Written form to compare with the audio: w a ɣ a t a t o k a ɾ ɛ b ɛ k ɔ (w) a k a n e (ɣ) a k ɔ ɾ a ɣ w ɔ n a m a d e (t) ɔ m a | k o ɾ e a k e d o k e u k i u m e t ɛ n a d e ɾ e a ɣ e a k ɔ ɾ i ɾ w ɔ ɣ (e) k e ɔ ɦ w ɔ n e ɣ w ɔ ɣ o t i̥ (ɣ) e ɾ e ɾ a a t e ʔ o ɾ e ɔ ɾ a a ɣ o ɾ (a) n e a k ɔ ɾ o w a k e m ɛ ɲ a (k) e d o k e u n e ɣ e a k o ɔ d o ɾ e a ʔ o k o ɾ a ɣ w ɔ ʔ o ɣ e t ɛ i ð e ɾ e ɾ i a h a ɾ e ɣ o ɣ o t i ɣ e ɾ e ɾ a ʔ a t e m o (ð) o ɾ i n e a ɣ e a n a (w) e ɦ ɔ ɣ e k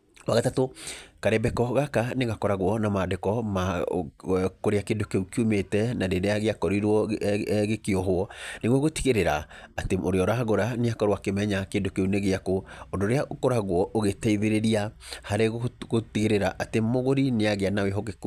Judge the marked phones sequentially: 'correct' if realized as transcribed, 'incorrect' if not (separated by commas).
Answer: incorrect, correct, incorrect, correct, correct, correct, correct, incorrect, correct